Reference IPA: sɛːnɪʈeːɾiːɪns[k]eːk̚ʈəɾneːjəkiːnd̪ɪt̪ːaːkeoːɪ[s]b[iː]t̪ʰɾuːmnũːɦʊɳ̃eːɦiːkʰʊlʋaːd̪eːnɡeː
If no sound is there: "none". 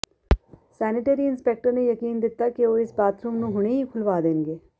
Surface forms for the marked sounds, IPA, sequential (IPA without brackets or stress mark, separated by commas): p, s, aː